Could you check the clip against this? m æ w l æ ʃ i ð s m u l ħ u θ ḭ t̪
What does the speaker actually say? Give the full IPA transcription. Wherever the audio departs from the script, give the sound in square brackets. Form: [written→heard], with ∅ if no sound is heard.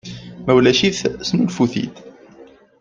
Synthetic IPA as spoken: m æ w l æ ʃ i [ð→θ] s [m→n] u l [ħ→f] u θ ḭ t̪